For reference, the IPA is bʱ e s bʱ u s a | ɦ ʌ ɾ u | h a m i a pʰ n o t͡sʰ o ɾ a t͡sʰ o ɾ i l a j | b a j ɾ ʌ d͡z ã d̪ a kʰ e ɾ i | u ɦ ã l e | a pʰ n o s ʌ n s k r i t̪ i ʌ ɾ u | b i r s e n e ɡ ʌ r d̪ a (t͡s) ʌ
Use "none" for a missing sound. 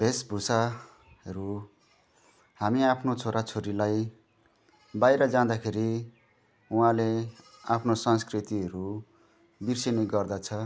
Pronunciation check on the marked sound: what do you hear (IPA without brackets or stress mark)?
t͡sʰ